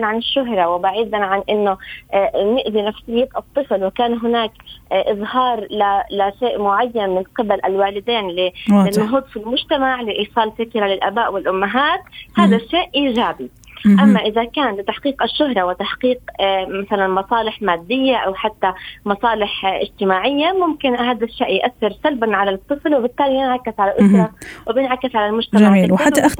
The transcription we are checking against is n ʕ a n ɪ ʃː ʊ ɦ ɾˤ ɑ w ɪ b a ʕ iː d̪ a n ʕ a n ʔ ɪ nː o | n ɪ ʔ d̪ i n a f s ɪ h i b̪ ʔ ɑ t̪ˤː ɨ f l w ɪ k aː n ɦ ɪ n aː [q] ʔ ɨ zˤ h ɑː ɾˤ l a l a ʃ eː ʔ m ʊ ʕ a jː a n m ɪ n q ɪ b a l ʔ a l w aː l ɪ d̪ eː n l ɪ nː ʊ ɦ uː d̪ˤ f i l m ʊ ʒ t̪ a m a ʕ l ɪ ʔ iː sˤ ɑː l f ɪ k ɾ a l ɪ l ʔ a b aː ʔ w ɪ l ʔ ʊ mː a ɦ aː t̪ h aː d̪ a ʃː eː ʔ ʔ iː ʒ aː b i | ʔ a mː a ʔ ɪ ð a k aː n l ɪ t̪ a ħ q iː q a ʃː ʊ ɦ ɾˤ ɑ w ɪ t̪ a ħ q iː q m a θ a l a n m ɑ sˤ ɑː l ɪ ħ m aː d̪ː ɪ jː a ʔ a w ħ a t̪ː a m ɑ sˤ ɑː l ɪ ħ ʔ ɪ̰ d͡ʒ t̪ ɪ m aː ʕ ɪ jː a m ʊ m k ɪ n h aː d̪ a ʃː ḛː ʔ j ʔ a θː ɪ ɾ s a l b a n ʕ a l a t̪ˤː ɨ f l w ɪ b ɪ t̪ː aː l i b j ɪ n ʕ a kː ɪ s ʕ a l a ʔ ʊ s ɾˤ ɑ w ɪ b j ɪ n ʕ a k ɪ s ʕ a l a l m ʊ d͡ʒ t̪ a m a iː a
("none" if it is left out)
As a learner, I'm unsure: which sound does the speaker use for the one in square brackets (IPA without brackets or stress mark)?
k